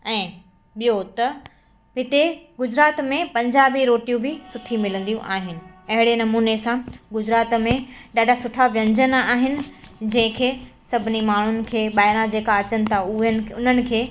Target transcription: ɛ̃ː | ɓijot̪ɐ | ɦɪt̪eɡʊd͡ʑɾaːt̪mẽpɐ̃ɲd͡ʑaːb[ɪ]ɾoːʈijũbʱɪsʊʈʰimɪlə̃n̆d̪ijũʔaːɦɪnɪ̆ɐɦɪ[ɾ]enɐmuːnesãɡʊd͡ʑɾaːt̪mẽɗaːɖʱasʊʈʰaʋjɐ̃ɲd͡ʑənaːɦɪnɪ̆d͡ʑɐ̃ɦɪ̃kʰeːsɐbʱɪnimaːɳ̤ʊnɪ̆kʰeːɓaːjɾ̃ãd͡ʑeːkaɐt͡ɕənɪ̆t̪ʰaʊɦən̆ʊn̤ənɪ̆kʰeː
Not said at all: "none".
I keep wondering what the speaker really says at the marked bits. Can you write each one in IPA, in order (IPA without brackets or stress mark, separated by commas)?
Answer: i, ɽ